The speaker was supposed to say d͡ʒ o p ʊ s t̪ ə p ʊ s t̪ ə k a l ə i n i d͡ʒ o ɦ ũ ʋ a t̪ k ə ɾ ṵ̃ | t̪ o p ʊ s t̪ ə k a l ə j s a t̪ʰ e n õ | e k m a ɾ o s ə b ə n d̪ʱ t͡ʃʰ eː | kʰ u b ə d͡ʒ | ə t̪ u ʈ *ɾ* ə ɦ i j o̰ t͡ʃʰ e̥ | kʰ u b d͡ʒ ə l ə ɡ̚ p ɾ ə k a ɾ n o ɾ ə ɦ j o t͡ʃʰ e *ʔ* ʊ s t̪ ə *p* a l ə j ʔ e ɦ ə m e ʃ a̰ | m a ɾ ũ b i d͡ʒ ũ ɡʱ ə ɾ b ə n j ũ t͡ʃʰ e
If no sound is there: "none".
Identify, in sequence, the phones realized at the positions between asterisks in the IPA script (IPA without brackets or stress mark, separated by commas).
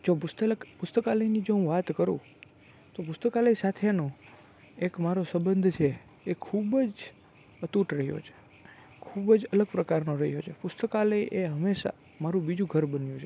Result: ɾ, p, k